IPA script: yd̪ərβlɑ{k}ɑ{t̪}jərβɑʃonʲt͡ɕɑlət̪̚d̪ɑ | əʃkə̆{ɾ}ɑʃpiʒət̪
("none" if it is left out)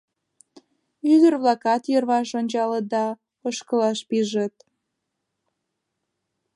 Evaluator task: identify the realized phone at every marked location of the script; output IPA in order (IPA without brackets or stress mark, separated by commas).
k, t̪, l